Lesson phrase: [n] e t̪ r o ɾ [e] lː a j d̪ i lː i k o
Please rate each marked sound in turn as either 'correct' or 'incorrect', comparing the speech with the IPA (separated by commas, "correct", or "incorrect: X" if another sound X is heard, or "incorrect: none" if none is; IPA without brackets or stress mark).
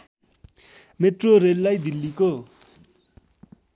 incorrect: m, correct